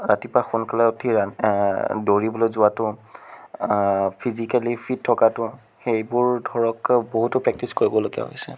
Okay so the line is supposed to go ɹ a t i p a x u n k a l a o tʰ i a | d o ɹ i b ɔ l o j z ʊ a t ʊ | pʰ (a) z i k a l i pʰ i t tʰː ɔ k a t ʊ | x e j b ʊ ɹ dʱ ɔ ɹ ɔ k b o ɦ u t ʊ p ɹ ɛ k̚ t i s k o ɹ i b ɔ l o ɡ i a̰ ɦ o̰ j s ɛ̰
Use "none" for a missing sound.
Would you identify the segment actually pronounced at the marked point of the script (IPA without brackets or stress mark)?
i